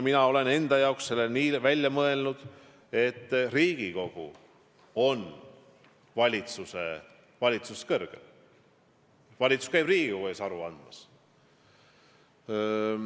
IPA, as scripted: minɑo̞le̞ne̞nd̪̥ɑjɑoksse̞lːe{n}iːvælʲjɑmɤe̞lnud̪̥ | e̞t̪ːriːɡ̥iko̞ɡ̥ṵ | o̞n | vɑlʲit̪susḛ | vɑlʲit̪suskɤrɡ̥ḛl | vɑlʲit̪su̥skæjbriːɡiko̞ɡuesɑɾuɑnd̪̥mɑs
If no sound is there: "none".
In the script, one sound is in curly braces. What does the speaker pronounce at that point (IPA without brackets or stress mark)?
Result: n